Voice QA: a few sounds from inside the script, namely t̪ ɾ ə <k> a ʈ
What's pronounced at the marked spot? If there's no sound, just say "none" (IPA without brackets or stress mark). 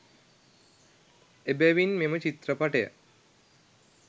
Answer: p